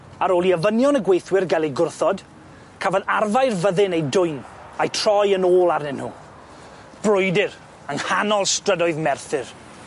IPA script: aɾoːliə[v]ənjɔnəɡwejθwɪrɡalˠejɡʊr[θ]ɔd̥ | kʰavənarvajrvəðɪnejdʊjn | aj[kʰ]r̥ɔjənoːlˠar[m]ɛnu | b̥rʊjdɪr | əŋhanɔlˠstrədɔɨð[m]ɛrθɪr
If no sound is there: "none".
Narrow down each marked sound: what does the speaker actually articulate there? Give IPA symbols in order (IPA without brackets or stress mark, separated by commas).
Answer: v, θ, tʰ, n, m